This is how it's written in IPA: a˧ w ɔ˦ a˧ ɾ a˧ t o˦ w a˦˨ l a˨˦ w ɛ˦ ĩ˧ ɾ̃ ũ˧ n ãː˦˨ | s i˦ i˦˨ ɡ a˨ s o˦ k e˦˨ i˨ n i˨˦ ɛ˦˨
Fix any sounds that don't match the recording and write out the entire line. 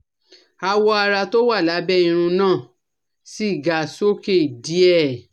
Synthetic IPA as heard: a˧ w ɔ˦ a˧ ɾ a˧ t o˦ w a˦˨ l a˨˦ b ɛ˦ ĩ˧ ɾ̃ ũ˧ n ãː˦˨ | s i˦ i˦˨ ɡ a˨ s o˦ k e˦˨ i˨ d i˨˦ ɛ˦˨